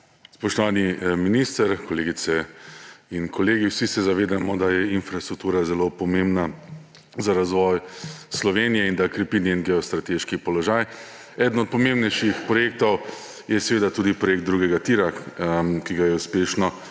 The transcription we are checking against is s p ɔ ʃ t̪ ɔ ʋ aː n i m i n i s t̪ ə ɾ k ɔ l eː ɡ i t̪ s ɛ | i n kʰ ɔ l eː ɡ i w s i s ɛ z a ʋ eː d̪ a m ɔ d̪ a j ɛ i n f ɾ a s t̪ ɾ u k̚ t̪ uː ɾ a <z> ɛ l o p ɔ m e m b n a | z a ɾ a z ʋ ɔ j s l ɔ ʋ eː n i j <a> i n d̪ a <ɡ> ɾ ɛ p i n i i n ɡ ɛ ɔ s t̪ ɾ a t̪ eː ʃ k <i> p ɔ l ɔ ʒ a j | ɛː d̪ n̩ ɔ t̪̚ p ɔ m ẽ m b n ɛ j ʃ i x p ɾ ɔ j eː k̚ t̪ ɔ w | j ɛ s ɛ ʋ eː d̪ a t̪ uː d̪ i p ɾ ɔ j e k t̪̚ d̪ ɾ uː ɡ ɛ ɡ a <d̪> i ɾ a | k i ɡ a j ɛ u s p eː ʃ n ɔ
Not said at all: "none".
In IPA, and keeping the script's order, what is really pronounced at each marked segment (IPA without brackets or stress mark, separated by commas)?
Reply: z, ɛ, k, i, t̪